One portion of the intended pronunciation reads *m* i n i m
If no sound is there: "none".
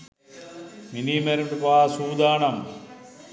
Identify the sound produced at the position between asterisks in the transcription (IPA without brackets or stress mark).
m